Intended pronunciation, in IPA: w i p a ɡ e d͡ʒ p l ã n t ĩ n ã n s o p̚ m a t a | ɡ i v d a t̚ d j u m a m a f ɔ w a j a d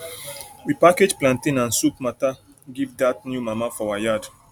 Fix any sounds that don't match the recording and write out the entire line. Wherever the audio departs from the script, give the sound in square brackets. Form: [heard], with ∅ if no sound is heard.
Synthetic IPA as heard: w i p a [k] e d͡ʒ p l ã n t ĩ n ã n s [u] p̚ m a t a | ɡ i v d a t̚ [n] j u m a m a f ɔ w a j a d